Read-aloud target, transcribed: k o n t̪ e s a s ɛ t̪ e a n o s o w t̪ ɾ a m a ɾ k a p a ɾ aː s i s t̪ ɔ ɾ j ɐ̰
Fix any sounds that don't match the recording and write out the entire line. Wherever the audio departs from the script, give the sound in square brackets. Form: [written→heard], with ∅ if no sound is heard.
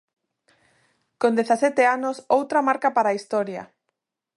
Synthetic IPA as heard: k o n [t̪→d̪] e [s→θ] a s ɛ t̪ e a n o s o w t̪ ɾ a m a ɾ k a p a ɾ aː [s→∅] i s t̪ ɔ ɾ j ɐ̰